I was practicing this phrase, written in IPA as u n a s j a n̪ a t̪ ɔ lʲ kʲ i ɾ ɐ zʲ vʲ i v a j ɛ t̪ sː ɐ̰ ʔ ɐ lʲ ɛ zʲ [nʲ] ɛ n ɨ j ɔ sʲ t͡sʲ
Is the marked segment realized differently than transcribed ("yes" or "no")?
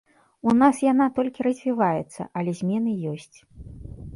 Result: yes